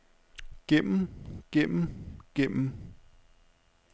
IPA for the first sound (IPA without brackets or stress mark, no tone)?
ɡ̥